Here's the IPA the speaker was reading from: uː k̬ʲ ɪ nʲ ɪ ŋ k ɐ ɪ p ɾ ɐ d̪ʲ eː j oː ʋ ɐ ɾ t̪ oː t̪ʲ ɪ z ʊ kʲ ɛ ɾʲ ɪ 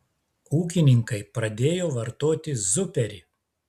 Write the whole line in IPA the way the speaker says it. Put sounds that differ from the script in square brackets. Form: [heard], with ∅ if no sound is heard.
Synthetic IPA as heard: uː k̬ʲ ɪ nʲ ɪ ŋ k ɐ ɪ p ɾ ɐ d̪ʲ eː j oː ʋ ɐ ɾ t̪ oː t̪ʲ ɪ z ʊ [pʲ] ɛ ɾʲ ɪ